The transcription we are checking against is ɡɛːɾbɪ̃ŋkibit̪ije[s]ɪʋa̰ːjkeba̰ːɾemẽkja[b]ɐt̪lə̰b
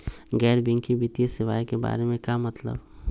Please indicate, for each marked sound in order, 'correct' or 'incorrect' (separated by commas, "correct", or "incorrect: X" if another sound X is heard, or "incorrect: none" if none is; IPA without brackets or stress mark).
correct, incorrect: m